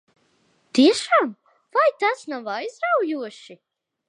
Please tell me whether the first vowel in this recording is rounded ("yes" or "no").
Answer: no